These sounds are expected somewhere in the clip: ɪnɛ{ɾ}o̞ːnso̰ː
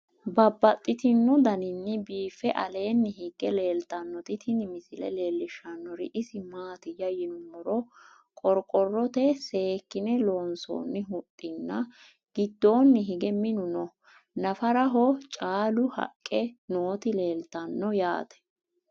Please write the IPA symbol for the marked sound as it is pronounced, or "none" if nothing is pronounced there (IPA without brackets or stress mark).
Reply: l